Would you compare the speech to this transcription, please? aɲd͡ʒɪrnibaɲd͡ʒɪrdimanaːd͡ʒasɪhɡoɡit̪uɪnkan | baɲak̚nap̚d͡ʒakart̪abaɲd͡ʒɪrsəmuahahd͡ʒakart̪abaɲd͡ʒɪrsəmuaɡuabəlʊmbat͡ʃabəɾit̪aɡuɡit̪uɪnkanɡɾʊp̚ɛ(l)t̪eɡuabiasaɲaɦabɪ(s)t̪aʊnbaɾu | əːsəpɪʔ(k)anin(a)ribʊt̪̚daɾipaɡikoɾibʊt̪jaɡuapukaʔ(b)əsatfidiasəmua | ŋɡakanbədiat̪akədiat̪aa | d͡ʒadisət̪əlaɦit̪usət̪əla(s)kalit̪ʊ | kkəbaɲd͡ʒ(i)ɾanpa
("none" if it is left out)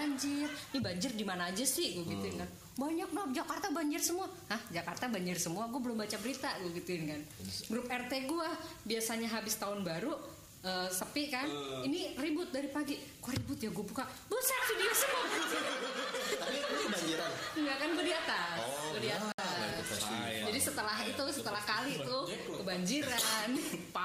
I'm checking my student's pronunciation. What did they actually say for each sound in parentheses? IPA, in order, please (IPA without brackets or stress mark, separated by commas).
r, s, k, i, b, h, i